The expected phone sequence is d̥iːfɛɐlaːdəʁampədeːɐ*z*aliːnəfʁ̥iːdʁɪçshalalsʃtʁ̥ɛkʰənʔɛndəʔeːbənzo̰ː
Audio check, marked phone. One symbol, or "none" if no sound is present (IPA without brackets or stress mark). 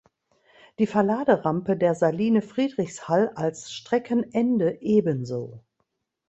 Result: z